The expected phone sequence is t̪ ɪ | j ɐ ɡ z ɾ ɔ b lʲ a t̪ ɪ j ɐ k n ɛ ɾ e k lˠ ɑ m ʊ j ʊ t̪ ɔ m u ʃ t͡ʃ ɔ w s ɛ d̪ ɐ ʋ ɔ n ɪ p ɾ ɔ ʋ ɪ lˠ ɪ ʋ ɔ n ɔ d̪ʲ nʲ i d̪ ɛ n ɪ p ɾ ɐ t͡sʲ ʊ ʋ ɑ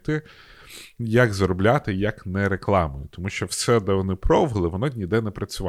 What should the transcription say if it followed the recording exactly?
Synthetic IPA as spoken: t̪ ɪ | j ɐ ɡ z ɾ ɔ b lʲ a t̪ ɪ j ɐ k n ɛ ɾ e k lˠ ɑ m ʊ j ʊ t̪ ɔ m u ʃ t͡ʃ ɔ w s ɛ d̪ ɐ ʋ ɔ n ɪ p ɾ ɔ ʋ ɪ lˠ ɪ ʋ ɔ n ɔ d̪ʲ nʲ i d̪ ɛ n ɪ p ɾ ɐ t͡sʲ ʊ ʋ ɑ